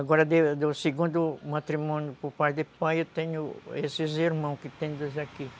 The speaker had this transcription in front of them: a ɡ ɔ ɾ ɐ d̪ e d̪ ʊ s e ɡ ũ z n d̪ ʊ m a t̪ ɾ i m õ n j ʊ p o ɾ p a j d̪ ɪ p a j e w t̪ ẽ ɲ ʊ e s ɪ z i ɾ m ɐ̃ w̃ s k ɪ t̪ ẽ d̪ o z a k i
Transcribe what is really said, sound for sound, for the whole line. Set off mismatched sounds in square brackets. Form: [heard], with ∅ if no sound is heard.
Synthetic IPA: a ɡ ɔ ɾ ɐ d̪ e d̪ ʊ s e ɡ ũ [∅] n d̪ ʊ m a t̪ ɾ i m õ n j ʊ p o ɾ p a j d̪ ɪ p a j e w t̪ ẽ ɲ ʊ e s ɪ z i ɾ m ɐ̃ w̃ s k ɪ t̪ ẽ d̪ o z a k i